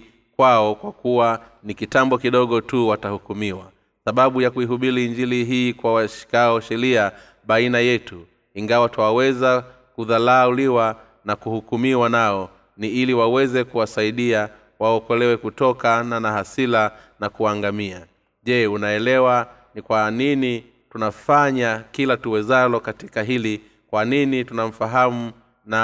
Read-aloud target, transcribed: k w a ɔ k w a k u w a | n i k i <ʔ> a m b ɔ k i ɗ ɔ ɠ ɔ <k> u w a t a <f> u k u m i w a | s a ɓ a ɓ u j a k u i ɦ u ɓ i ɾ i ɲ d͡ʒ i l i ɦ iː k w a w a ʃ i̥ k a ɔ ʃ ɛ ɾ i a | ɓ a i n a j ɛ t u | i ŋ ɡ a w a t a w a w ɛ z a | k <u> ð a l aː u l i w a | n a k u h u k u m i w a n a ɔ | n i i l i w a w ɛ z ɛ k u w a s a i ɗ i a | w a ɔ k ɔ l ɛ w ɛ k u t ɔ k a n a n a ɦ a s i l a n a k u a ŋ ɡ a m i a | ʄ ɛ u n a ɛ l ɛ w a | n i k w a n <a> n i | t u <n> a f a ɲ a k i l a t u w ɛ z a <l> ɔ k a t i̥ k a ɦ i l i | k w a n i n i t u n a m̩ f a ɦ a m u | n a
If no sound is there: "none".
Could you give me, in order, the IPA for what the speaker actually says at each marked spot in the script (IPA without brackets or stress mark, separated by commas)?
t, t, h, u, i, n, l